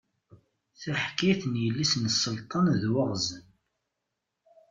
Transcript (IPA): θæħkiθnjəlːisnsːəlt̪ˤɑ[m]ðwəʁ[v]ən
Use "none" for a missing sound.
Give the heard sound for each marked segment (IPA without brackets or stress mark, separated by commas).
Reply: n, z